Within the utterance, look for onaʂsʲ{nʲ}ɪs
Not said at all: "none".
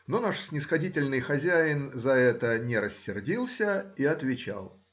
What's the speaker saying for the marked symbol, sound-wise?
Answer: nʲ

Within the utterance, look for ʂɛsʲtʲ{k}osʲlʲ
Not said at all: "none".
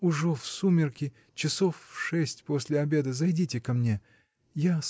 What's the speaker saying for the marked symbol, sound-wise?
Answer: p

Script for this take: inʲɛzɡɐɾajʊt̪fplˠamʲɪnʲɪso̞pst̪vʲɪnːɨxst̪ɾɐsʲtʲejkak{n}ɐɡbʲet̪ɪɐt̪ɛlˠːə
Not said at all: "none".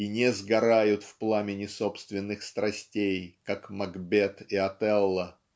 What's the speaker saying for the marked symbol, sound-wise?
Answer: m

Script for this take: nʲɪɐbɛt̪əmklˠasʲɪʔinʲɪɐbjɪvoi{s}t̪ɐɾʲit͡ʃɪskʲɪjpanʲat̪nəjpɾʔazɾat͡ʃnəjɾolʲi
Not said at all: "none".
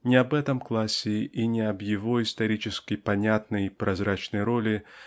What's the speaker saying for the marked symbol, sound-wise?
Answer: s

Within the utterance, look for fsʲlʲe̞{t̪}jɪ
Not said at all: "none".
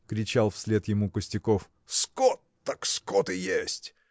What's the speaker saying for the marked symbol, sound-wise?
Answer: t̪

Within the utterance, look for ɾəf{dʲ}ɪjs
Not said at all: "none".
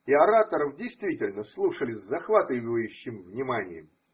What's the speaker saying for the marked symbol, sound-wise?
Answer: dʲ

